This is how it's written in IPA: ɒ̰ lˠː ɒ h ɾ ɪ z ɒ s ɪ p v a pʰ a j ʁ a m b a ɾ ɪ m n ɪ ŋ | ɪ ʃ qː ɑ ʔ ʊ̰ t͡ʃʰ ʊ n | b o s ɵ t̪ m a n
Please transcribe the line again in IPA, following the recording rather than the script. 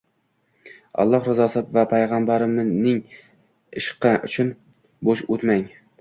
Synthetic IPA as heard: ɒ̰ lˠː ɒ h ɾ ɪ z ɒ s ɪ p v a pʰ a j ʁ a m b a ɾ ɪ m n ɪ ŋ | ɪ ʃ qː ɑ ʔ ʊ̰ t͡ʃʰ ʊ n | b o ʃ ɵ t̪ m a ŋ